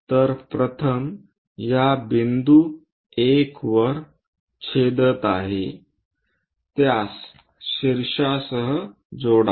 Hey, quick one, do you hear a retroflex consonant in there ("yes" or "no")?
yes